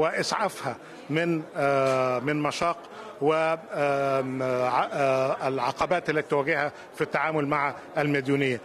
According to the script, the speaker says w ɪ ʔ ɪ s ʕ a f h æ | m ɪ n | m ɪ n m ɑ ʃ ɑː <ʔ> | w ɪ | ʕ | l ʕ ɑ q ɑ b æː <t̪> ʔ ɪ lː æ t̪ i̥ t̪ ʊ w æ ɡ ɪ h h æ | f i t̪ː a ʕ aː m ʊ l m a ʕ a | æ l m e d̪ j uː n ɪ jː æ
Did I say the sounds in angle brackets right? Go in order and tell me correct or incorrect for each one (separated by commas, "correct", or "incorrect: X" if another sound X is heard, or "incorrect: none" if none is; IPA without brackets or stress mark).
incorrect: q, correct